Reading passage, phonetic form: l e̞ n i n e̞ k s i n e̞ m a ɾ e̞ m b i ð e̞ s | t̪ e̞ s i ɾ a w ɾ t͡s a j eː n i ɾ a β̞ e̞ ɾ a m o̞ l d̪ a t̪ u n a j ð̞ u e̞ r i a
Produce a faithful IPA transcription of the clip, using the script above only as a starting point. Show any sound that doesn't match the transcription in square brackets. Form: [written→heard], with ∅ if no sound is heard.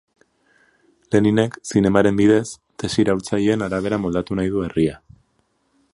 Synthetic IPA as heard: l e̞ n i n e̞ k s i n e̞ m a ɾ e̞ m b i ð e̞ s | t̪ e̞ s i ɾ a w ɾ t͡s a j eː n [i→a] ɾ a β̞ e̞ ɾ a m o̞ l d̪ a t̪ u n a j ð̞ u e̞ r i a